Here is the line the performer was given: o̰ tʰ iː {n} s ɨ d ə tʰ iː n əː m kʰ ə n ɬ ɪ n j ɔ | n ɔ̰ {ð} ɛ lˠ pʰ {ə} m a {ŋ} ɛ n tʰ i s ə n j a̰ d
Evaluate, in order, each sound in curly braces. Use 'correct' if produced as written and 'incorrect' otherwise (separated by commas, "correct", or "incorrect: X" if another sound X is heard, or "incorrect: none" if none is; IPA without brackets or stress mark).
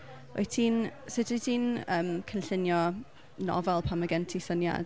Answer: correct, incorrect: v, incorrect: a, incorrect: ɡ